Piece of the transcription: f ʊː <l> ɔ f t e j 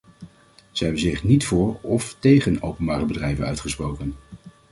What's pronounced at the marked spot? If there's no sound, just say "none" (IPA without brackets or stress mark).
ɹ